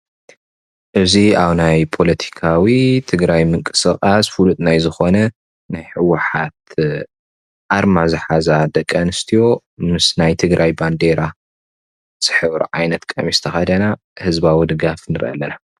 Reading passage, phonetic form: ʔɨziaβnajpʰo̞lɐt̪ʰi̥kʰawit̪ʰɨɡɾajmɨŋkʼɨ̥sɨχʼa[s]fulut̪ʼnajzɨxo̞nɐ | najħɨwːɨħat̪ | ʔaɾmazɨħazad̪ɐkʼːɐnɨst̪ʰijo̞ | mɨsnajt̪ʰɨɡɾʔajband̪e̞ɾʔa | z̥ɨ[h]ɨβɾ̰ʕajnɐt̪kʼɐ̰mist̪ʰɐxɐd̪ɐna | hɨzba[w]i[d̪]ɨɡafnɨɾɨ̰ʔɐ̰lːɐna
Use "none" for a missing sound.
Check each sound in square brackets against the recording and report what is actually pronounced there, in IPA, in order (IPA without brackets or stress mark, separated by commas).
s, ħ, w, d̪